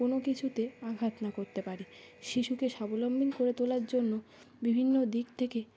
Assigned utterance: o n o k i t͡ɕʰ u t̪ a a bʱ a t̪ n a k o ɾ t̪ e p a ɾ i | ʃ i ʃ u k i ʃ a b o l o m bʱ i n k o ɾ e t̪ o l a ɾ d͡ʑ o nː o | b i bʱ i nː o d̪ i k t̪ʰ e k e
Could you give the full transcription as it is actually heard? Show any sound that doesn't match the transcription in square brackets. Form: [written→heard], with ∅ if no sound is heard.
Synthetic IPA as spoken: o n o k i t͡ɕʰ u t̪ [a→e] a [bʱ→ɡʱ] a t̪ n a k o ɾ t̪ e p a ɾ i | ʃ i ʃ u k [i→e] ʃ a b o l o m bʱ i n k o ɾ e t̪ o l a ɾ d͡ʑ o nː o | b i bʱ i nː o d̪ i k t̪ʰ e k e